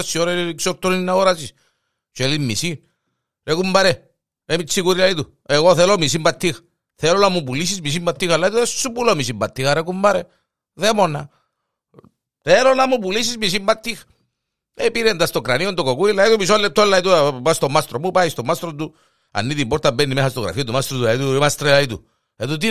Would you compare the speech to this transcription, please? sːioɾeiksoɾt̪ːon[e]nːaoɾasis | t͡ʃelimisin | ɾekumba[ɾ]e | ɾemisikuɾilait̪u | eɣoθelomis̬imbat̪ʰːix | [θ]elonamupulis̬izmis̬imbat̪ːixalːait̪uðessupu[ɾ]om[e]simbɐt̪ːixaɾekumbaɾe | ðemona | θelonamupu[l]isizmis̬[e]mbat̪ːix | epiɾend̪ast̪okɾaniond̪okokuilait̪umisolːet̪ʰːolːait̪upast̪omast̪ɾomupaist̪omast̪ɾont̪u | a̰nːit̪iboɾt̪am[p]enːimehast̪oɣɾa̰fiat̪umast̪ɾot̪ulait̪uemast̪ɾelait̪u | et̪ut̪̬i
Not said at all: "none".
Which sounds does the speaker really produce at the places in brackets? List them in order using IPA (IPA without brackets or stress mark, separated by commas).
i, ɾ, θ, l, i, l, i, b